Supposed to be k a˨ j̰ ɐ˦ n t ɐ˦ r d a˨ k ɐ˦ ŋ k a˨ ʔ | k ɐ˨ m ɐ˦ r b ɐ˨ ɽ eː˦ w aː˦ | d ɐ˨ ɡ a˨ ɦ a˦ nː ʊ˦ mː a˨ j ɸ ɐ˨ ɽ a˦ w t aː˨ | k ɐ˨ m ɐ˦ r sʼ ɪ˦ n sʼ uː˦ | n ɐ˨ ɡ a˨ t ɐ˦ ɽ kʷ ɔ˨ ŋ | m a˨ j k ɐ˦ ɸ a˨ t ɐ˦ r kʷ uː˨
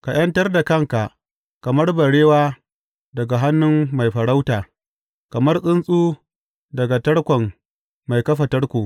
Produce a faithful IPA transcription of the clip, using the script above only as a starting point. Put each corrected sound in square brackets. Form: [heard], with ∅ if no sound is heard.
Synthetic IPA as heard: k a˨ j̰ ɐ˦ n t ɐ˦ r d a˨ k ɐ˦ ŋ k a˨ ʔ | k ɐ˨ m ɐ˦ r b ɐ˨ ɽ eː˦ w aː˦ | d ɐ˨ ɡ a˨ ɦ a˦ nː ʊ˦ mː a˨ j ɸ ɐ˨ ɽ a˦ w t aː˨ | k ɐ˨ m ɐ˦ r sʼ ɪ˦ n sʼ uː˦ | [d] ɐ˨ ɡ a˨ t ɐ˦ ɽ kʷ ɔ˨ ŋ | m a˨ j k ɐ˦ ɸ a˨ t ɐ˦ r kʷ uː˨